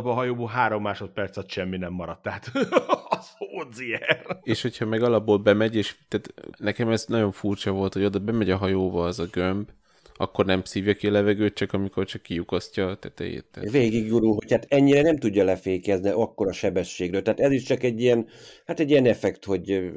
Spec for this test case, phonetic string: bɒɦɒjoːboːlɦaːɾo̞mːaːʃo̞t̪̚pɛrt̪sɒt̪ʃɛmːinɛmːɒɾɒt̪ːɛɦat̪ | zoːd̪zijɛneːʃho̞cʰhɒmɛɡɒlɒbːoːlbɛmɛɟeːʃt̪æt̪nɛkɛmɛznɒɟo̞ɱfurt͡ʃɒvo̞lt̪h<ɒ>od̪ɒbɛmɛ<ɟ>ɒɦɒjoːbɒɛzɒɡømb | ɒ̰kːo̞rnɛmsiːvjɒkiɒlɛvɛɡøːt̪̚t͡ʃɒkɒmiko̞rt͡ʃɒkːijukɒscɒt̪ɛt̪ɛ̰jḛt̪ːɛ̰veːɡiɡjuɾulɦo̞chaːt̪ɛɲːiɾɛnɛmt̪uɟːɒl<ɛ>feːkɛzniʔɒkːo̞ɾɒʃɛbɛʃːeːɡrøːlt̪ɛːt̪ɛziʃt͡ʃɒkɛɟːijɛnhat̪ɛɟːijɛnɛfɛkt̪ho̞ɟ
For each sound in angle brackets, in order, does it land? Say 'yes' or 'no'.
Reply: no, yes, yes

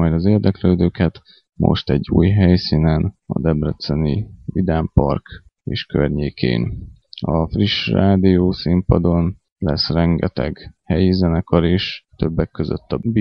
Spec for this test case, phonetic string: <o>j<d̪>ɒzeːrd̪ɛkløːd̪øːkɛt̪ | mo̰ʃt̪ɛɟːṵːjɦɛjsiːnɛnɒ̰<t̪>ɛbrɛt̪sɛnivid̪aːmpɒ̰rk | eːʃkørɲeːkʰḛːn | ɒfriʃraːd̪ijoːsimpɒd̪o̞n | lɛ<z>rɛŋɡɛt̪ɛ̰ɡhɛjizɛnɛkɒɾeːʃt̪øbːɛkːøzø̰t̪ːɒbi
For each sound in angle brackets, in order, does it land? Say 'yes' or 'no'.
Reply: no, yes, no, no

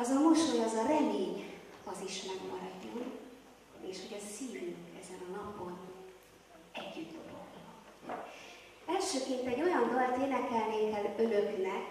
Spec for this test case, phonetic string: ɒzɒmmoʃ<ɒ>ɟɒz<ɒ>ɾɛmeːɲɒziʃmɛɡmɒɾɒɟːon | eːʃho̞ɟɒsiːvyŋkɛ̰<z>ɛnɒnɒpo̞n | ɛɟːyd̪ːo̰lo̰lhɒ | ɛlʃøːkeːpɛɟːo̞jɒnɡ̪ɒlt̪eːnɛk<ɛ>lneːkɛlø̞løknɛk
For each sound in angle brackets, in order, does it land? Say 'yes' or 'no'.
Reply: no, yes, yes, yes

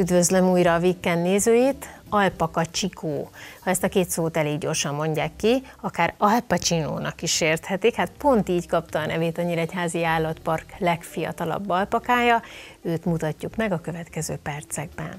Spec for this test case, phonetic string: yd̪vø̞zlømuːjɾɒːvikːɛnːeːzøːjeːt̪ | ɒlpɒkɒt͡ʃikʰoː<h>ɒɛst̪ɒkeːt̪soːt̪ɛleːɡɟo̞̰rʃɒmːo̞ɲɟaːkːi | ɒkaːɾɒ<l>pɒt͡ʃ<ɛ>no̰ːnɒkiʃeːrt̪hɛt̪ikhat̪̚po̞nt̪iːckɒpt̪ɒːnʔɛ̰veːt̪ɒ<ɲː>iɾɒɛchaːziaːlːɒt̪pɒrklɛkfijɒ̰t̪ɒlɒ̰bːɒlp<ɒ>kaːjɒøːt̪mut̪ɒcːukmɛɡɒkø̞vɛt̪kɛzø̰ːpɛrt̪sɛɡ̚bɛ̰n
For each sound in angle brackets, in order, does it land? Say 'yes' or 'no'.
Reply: yes, yes, no, yes, yes

